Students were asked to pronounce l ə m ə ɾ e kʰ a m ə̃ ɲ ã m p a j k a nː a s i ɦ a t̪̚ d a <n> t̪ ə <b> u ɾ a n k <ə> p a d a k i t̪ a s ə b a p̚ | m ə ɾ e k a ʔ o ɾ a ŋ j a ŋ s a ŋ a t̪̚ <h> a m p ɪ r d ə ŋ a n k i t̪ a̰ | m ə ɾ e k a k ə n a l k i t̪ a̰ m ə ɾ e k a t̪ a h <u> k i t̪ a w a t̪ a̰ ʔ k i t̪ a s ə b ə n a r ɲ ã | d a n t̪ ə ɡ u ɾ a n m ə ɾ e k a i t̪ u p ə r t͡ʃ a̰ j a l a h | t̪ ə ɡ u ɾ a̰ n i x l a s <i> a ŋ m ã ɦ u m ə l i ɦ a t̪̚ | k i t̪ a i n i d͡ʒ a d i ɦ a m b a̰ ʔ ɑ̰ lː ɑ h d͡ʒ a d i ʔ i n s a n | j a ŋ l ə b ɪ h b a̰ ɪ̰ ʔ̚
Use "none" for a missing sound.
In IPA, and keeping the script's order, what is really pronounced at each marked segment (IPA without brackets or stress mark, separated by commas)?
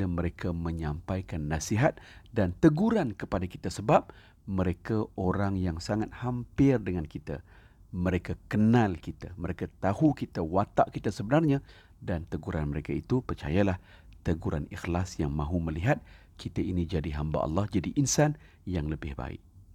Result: n, ɡ, ə, h, u, j